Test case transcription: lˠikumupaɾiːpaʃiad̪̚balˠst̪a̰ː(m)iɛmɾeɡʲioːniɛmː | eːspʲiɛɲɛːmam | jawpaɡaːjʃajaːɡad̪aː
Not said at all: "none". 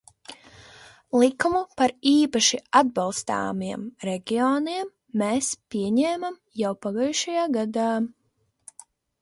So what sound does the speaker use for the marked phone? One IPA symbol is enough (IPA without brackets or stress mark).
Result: m